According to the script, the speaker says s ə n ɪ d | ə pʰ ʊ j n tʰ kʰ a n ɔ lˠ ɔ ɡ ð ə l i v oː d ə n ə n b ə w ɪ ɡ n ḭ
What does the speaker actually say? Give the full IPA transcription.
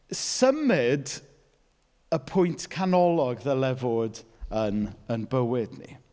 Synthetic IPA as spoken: s ə m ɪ d | ə pʰ ʊ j n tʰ kʰ a n ɔ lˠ ɔ ɡ ð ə l ɛ v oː d ə n ə n b ə w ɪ d n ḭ